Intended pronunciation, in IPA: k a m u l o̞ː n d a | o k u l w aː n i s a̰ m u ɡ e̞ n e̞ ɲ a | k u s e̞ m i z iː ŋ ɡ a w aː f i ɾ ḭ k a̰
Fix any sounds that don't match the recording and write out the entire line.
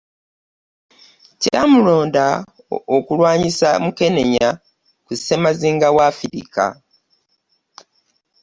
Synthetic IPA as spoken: c a m u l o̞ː n d a | o k u l w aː ɲ i s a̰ m u k e̞ n e̞ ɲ a | k u s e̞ m a z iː ŋ ɡ a w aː f i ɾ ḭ k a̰